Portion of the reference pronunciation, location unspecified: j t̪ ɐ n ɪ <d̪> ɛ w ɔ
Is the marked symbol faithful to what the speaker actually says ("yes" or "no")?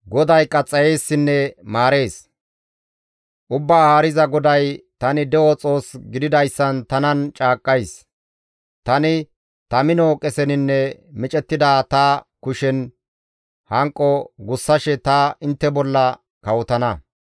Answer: yes